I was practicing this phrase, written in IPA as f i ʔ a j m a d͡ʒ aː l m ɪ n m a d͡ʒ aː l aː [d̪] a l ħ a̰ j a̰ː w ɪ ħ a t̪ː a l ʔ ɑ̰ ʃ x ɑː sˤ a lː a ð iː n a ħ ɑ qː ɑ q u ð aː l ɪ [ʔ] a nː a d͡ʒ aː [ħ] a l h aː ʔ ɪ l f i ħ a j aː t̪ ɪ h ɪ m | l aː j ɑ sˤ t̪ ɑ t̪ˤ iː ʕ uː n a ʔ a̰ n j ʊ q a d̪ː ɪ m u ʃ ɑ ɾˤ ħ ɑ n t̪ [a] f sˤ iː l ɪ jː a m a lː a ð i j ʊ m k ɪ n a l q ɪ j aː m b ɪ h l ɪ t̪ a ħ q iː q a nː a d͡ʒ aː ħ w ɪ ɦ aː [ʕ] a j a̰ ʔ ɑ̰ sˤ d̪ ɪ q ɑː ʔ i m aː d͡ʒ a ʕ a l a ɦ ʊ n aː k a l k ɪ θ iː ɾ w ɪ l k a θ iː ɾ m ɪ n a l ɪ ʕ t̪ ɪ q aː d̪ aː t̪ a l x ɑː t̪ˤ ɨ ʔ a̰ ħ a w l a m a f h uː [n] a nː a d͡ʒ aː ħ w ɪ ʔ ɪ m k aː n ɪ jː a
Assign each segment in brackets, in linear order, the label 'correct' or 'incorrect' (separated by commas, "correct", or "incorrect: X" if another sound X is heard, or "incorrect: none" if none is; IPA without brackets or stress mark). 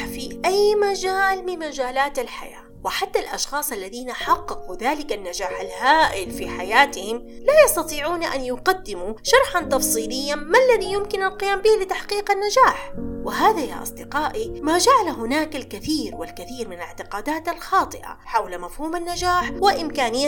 incorrect: t̪, incorrect: k, correct, incorrect: ɑ, incorrect: ð, incorrect: m